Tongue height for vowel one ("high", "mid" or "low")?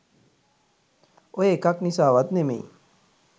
mid